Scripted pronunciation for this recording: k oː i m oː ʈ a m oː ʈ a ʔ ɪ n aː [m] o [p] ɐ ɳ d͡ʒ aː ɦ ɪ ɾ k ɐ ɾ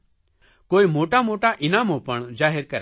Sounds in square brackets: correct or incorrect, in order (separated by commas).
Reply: correct, correct